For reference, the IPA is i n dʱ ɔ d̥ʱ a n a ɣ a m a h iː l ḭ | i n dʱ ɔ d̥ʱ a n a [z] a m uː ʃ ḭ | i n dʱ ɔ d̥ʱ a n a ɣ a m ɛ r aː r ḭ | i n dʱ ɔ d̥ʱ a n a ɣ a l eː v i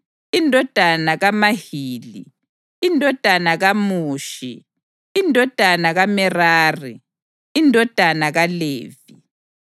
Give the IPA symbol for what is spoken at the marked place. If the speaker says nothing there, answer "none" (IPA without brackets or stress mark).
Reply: ɣ